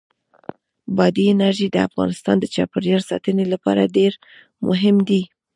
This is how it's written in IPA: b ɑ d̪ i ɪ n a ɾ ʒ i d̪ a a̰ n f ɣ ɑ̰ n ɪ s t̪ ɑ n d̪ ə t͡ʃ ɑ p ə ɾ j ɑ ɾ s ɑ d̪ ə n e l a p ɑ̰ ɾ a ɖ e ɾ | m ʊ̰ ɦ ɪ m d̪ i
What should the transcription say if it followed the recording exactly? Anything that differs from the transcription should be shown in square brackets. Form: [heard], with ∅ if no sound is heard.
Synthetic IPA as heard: b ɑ d̪ i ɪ n a ɾ ʒ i d̪ [ə] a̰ [∅] f ɣ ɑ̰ n ɪ s t̪ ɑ n d̪ ə t͡ʃ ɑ p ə ɾ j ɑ ɾ s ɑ [t̪] ə n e l a p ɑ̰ ɾ a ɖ e ɾ | m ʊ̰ ɦ ɪ m d̪ i

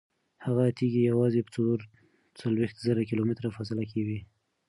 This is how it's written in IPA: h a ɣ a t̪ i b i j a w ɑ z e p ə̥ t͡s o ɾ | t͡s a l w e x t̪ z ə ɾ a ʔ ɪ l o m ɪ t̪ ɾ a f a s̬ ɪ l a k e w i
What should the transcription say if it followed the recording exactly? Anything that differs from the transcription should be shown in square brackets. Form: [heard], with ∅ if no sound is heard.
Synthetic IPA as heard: h a ɣ a t̪ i [ɡ] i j a w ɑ z e p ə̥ t͡s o ɾ | t͡s a l w e x t̪ z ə ɾ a [k] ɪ l o m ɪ t̪ ɾ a f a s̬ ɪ l a k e w i

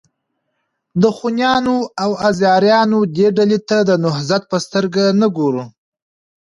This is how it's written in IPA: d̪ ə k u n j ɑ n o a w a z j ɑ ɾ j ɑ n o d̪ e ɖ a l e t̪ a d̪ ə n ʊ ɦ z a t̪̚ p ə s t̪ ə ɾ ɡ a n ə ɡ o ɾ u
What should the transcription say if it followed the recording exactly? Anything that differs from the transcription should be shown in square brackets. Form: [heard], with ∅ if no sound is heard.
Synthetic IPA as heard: d̪ ə [x] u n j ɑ n o a w a z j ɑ ɾ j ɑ n o d̪ e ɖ a l e t̪ a d̪ ə n ʊ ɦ z a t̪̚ p ə s t̪ ə ɾ ɡ a n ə ɡ o ɾ u

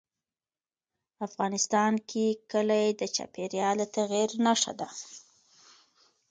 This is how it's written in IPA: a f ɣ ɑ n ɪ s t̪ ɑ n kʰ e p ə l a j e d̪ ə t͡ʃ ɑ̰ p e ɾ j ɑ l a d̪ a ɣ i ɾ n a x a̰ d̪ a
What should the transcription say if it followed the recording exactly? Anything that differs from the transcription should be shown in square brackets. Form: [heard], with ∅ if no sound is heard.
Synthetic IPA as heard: a f ɣ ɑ n ɪ s t̪ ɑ n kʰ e [k] ə l a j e d̪ ə t͡ʃ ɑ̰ p e ɾ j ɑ l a [t̪] a ɣ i ɾ n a [ʂ] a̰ d̪ a

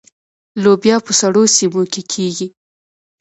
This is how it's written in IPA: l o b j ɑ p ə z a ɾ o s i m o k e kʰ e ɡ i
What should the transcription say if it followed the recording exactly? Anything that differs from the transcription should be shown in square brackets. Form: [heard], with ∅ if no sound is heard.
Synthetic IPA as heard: l o b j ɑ p ə [s] a [ɽ] o s i m o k e kʰ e ɡ i

